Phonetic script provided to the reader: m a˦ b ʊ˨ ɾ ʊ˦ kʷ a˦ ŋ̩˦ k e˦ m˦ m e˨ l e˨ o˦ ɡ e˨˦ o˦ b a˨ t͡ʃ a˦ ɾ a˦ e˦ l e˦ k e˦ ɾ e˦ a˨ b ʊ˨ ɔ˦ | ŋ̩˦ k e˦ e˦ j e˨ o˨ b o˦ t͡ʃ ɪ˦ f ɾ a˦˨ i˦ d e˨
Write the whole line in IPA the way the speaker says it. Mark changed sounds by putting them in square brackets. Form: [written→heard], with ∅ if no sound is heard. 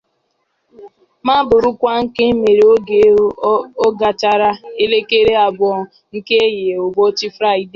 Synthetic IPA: m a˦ b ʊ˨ ɾ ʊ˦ kʷ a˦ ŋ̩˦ k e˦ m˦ m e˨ [l→ɾ] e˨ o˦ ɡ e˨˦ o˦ [b→ɡ] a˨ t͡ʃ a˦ ɾ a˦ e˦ l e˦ k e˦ ɾ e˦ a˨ b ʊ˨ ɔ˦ | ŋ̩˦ k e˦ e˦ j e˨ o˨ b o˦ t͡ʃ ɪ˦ f ɾ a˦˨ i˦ d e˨